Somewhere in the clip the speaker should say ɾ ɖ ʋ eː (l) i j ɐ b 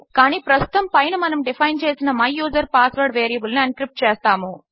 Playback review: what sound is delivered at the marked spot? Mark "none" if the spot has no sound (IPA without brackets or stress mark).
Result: ɾ